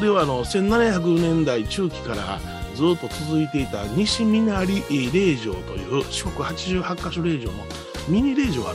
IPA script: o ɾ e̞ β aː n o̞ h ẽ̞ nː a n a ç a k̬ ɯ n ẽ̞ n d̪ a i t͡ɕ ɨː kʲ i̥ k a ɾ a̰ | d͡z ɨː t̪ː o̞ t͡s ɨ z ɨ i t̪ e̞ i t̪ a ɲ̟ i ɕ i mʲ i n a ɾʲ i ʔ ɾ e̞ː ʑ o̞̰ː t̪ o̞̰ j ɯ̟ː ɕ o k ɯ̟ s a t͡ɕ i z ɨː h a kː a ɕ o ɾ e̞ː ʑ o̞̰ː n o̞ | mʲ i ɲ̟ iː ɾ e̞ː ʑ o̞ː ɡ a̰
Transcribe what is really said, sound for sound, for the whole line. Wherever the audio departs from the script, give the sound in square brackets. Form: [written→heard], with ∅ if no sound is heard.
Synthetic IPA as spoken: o ɾ e̞ β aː n o̞ [h→s] ẽ̞ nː a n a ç a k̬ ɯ n ẽ̞ n d̪ a i t͡ɕ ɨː kʲ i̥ k a ɾ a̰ | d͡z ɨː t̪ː o̞ t͡s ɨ z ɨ i t̪ e̞ i t̪ a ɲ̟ i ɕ i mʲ i n a ɾʲ i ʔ ɾ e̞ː ʑ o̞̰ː t̪ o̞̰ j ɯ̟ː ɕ o k ɯ̟ [s→h] a t͡ɕ i [z→ʑ] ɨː h a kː a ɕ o ɾ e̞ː ʑ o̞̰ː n o̞ | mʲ i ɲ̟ [iː→i] ɾ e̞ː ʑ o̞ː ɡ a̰